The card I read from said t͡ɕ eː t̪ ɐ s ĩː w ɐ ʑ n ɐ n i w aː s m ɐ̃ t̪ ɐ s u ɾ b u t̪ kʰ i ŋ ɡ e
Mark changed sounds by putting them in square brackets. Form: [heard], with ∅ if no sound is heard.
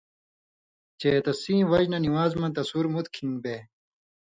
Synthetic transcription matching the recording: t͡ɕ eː t̪ ɐ s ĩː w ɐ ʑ n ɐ n i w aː [z] m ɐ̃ t̪ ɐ s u ɾ [m] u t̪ kʰ i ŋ [b] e